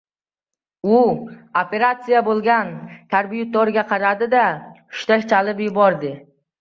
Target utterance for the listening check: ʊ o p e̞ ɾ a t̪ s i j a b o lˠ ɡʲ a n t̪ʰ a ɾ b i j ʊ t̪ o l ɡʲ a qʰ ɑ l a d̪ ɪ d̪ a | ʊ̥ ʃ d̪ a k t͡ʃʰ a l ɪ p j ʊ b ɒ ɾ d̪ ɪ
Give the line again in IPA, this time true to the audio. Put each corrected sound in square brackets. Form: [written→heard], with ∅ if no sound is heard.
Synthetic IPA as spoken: ʊ o p e̞ ɾ a t̪ s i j a b o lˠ ɡʲ a n t̪ʰ a ɾ b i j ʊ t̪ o [l→ɾ] ɡʲ a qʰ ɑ [l→ɾ] a d̪ ɪ d̪ a | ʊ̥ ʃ [d̪→t̪] a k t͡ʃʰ a l ɪ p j ʊ b ɒ ɾ d̪ ɪ

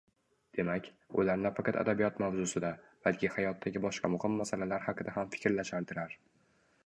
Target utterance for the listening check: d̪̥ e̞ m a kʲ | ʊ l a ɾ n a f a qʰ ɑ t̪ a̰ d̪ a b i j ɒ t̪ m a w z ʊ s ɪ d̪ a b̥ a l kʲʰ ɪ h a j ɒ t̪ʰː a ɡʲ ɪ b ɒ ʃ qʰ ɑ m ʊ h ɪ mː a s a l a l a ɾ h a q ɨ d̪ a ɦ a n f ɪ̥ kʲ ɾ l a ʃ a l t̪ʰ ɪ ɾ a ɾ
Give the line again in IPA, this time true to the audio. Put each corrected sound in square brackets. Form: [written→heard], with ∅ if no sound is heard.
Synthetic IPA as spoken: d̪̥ e̞ m a kʲ | ʊ l a ɾ n a f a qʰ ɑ t̪ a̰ d̪ a b i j ɒ t̪ m a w z ʊ s ɪ d̪ a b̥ a l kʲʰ ɪ h a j ɒ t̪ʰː a ɡʲ ɪ b ɒ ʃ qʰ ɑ m ʊ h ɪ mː a s a l a l a ɾ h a q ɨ d̪ a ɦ a [n→m] f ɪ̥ kʲ ɾ l a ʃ a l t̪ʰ ɪ ɾ a ɾ

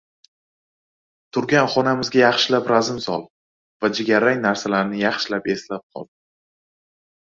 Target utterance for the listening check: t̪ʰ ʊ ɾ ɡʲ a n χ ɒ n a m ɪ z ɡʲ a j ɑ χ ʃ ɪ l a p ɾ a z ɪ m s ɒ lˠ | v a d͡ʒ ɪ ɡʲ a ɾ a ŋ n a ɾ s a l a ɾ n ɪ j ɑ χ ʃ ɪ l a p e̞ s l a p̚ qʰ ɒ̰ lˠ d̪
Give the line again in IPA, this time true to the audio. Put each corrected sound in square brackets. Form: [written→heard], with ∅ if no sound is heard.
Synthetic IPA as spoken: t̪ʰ ʊ ɾ ɡʲ a n χ ɒ n a m ɪ z ɡʲ a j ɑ χ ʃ ɪ l a p ɾ a z ɪ m s ɒ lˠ | v a d͡ʒ ɪ ɡʲ a ɾ a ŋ n a ɾ s a l a ɾ n ɪ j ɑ χ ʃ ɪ l a p e̞ s l a p̚ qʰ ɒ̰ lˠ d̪

